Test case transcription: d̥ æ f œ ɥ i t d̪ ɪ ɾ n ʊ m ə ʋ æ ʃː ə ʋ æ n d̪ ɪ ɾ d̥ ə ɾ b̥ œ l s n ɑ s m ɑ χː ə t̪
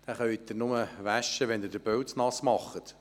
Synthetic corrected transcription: d̥ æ χ œ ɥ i t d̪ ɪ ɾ n ʊ m ə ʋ æ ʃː ə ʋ ɛ n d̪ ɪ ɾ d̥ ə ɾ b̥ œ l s n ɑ s m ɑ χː ə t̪